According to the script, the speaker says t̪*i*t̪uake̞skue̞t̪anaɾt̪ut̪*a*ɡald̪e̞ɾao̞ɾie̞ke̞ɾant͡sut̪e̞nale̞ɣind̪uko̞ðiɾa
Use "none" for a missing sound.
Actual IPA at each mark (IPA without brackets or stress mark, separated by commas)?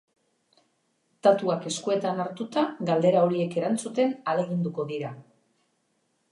a, a